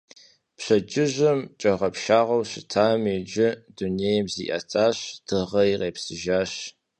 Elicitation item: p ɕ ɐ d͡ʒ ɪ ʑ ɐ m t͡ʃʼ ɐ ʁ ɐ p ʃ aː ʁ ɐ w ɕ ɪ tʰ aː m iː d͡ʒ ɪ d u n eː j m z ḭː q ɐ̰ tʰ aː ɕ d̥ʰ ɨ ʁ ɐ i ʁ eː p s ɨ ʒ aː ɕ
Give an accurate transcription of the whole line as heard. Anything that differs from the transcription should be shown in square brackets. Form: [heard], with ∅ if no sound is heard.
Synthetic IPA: p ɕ ɐ d͡ʒ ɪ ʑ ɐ m t͡ʃʼ ɐ ʁ ɐ p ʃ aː ʁ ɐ w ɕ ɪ tʰ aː m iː d͡ʒ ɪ d u n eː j m z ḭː [ʔ] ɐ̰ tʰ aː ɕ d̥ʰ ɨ ʁ ɐ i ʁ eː p s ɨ ʒ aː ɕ